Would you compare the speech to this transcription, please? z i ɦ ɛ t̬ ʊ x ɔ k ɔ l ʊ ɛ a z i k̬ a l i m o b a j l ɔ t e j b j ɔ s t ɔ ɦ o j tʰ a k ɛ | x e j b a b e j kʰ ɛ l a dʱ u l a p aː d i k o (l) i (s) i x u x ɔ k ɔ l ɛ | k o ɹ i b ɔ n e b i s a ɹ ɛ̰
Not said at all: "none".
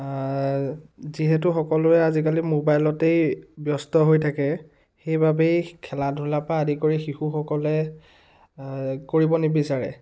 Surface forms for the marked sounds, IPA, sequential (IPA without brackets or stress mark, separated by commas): ɹ, x